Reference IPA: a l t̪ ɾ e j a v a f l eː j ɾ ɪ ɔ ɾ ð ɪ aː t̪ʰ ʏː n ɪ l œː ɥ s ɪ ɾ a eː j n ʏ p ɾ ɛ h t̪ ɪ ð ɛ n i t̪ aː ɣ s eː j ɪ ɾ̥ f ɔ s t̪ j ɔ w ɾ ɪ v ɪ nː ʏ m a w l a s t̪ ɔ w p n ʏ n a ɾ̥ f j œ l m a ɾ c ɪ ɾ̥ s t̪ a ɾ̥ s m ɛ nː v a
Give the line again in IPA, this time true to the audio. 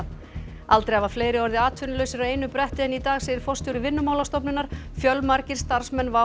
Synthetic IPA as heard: a l t̪ ɾ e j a v a f l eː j ɾ ɪ ɔ ɾ ð ɪ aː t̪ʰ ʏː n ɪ l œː ɥ s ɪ ɾ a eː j n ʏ p ɾ ɛ h t̪ ɪ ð ɛ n i t̪ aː ɣ s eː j ɪ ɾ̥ f ɔ s t̪ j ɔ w ɾ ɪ v ɪ nː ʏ m a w l a s t̪ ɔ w p n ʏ n a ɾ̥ f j œ l m a ɾ c ɪ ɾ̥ s t̪ a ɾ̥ s m ɛ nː v a